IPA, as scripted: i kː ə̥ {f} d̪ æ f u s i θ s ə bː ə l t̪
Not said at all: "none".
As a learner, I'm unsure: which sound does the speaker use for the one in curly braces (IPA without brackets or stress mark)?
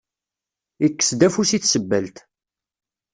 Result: s